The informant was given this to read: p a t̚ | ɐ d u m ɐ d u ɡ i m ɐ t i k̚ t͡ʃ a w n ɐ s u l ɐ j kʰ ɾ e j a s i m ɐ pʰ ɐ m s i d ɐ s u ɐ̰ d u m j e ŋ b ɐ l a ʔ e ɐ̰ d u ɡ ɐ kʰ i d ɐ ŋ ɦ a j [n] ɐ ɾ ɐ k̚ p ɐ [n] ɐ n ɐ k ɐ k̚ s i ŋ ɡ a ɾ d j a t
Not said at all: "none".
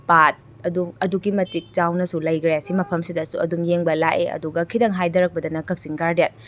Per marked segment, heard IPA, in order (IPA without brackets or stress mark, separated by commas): d, d